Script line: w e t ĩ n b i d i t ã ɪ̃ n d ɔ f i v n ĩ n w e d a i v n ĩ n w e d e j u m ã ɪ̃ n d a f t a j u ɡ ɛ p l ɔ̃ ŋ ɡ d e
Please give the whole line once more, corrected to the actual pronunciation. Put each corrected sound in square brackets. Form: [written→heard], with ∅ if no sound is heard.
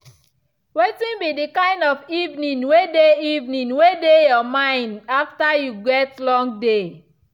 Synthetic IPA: w e t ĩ n b i d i [t→k] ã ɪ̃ n d ɔ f i v n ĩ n w e d [a→e] i v n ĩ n w e d e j [u→ɔ] m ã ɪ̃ n d a f t a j u ɡ ɛ [p→t] l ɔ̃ ŋ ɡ d e

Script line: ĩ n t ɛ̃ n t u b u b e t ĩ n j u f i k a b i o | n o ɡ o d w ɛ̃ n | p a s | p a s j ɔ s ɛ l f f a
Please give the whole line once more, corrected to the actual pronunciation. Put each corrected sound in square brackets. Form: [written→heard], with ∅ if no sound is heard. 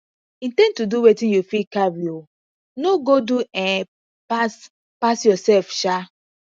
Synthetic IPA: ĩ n t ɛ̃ n t u [b→d] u [b→w] e t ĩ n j u f i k a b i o | n o ɡ o d [w→u] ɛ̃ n | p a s | p a s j ɔ s ɛ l f [f→ʃ] a

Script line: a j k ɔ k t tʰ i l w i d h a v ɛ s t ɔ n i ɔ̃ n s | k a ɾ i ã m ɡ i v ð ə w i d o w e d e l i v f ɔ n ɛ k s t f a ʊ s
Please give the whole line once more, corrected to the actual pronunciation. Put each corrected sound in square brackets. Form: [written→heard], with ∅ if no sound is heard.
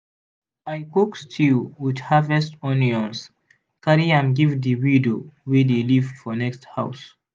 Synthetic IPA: a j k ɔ k [t→s] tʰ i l w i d h a v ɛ s t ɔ n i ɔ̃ n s | k a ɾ i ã m ɡ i v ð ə w i d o w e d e l i v f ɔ n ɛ k s t [f→h] a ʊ s

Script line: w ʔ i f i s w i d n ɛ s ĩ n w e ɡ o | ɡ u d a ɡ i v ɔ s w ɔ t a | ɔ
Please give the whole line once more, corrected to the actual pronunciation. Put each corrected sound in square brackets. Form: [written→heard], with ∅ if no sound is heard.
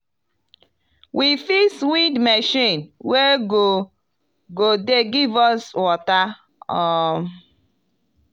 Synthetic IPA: w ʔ i f i s w i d [n→m] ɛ [s→ʃ] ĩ n w e ɡ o | ɡ [u→o] d [a→e] ɡ i v ɔ s w ɔ t a | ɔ

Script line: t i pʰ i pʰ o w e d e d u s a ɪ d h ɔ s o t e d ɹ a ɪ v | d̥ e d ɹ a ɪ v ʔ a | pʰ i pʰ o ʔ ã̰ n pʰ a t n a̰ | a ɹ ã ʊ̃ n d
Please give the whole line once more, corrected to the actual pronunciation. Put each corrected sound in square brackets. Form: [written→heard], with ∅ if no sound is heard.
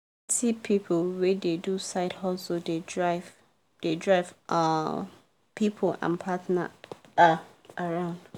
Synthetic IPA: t i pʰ i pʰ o w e d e d u s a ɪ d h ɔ s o [t→d] e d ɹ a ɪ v | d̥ e d ɹ a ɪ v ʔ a | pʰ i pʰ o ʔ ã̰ n pʰ a t n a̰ | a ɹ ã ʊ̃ n d

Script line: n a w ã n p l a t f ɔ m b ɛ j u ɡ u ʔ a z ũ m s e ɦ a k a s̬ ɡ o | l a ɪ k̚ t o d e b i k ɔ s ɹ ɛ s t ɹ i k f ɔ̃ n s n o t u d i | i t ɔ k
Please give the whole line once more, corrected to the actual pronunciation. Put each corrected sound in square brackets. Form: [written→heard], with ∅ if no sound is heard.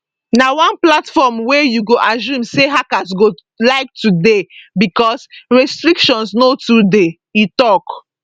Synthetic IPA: n a w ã n p l a t f ɔ m [b→w] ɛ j u ɡ [u→o] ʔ a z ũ m s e ɦ a k a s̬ ɡ o | l a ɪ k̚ t [o→u] d e b i k ɔ s ɹ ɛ s t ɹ i k [f→ʃ] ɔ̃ n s n o t u d [i→e] | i t ɔ k

